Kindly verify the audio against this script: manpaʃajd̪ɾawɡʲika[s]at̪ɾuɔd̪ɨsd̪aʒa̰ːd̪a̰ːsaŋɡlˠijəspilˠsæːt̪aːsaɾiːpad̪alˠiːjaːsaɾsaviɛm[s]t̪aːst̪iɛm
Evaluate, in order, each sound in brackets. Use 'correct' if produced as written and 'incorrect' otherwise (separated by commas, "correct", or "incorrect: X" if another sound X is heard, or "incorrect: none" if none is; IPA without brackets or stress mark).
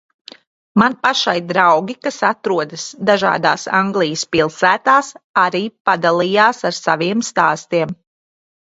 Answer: correct, correct